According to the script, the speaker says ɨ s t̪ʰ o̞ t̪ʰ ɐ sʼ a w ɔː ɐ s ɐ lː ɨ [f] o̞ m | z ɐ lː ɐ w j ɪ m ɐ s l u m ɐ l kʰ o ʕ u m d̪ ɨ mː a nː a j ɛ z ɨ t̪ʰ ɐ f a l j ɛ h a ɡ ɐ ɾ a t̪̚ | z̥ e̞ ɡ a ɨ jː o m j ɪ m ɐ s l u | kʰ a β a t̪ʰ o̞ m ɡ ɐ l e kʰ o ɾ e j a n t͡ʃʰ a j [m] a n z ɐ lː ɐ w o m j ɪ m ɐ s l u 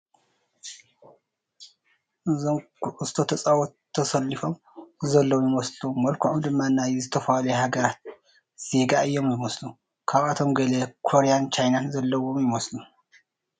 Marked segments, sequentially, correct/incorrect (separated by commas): correct, incorrect